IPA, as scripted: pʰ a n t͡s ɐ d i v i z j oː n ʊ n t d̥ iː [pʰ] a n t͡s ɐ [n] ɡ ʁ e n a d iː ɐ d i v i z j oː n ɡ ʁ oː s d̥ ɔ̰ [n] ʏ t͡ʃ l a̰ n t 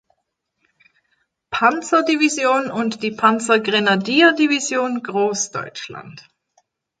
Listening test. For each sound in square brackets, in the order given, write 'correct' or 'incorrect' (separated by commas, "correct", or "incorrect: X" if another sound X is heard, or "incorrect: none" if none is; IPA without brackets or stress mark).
correct, incorrect: none, incorrect: none